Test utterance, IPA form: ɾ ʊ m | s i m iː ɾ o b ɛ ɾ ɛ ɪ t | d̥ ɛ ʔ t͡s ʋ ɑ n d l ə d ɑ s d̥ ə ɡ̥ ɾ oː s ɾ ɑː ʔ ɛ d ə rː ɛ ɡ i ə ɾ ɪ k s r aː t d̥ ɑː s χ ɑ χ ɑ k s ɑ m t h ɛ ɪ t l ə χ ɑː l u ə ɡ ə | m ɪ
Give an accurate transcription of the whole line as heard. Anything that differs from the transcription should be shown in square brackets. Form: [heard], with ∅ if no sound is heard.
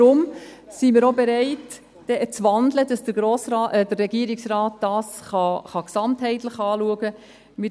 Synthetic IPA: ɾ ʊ m | s i m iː ɾ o b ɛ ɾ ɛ ɪ t | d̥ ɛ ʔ t͡s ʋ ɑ n d l ə d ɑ s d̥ ə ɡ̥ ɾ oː s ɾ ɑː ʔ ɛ d ə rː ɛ ɡ i ə ɾ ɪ k s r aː t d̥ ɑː s χ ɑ χ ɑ k s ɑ m t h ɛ ɪ t l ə χ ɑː l u ə ɡ ə | m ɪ

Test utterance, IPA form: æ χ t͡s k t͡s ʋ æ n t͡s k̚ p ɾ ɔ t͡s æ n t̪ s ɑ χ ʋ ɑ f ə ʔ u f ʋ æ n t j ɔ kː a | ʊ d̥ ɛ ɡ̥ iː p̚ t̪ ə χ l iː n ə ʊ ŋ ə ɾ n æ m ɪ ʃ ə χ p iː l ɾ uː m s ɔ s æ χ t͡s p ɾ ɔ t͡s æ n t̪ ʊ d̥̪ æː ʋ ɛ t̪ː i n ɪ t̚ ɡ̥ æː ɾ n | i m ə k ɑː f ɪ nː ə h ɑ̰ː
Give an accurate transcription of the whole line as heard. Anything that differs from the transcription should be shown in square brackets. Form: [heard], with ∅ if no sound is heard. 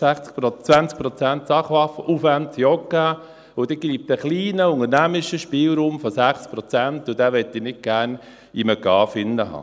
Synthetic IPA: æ χ t͡s k t͡s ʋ æ n t͡s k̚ p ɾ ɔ t͡s æ n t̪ s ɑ χ ʋ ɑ f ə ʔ u f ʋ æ n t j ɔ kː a | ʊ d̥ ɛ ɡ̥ iː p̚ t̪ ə χ l iː n ə ʊ ŋ ə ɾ n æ m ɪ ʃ ə [ʃ] p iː l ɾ uː m [f] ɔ s æ χ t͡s p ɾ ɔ t͡s æ n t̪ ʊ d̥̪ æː ʋ ɛ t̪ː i n ɪ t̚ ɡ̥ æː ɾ n | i m ə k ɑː f ɪ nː ə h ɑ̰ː

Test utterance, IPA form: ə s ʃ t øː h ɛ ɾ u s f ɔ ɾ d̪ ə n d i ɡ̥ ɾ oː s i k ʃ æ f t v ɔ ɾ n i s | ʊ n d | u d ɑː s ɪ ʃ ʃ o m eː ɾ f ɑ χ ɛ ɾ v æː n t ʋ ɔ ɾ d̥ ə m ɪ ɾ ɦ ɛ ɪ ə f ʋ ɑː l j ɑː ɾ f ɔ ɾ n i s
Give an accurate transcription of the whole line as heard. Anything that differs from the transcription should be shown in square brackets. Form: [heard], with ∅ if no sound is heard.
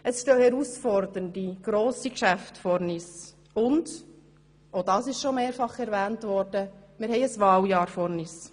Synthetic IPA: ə s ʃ t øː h ɛ ɾ u s f ɔ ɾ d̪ ə n d i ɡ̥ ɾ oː s i k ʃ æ f t [f] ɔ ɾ n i s | ʊ n d | [o] d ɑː s ɪ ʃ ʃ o m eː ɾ f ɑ χ ɛ ɾ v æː n t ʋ ɔ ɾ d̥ ə m ɪ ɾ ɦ ɛ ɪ ə [s] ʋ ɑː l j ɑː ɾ f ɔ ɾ n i s

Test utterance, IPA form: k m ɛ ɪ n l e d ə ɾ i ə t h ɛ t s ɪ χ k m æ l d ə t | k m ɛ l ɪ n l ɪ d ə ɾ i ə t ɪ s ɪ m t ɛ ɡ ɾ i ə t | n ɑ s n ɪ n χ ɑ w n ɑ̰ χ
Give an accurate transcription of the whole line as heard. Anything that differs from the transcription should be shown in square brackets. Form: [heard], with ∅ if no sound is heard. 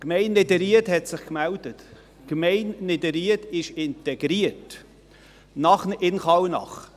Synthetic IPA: k m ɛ ɪ n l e d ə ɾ i ə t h ɛ t s ɪ χ k m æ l d ə t | k m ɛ [∅] ɪ n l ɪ d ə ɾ i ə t ɪ [ʃ] ɪ [n] t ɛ ɡ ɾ i ə t | n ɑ [χ] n ɪ n χ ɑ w n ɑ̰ χ

